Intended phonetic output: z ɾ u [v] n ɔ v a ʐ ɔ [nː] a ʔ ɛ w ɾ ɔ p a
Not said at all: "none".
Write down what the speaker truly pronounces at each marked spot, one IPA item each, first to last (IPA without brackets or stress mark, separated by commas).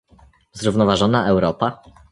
v, n